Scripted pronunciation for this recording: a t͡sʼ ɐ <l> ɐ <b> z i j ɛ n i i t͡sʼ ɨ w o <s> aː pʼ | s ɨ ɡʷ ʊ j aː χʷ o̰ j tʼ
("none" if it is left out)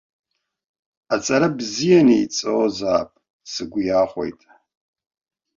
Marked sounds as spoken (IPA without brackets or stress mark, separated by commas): ɾ, b, z